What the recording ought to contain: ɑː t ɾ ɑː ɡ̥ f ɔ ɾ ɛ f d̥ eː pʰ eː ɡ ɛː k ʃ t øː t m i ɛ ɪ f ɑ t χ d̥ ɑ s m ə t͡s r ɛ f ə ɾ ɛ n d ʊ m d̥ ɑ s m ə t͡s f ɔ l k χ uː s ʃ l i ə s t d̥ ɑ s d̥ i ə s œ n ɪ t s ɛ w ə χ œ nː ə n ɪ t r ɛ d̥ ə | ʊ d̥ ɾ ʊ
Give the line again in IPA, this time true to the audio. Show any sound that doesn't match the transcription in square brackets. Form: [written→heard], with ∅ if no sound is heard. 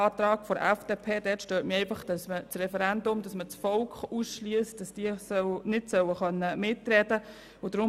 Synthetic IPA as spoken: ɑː t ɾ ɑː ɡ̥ f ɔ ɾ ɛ f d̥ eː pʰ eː [ɡ→d] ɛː [k→t] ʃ t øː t m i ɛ ɪ f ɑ [t→∅] χ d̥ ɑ s m ə t͡s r ɛ f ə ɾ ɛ n d ʊ m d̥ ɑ s m ə t͡s f ɔ l k χ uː s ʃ l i ə s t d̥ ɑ s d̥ i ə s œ n ɪ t s [ɛ→œ] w ə χ œ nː ə [n→m] ɪ t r ɛ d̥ ə | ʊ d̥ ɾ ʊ